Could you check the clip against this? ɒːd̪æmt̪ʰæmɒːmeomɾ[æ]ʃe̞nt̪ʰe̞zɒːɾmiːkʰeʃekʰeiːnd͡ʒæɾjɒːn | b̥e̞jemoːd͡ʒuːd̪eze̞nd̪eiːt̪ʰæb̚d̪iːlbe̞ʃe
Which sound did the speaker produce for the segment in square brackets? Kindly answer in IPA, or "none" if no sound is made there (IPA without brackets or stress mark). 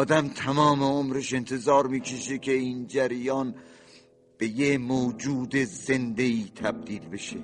e